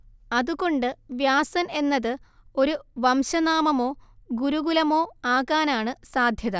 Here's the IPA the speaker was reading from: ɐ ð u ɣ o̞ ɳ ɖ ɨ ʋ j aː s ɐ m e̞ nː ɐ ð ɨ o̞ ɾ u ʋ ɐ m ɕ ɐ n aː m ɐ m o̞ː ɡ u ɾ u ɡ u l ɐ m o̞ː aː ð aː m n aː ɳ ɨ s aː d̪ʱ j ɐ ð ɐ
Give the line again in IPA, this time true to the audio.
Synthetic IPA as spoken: ɐ ð u ɣ o̞ ɳ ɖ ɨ ʋ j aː s ɐ n e̞ nː ɐ ð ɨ o̞ ɾ u ʋ ɐ m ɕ ɐ n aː m ɐ m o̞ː ɡ u ɾ u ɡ u l ɐ m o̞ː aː ɣ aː n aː ɳ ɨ s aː d̪ʱ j ɐ ð ɐ